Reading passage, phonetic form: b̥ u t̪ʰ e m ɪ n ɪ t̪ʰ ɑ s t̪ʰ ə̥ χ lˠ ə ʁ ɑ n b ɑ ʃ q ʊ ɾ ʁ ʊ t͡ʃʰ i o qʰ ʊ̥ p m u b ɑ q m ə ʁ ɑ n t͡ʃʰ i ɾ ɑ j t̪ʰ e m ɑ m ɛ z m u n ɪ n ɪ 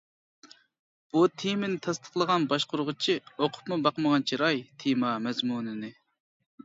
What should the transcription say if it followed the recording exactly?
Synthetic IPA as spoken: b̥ u t̪ʰ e m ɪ n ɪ t̪ʰ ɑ s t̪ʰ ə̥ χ lˠ ə ʁ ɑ n b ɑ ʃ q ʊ ɾ ʁ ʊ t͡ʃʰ i o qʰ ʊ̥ p m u b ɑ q m ə ʁ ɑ n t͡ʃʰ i ɾ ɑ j t̪ʰ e m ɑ m ɛ z m u n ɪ n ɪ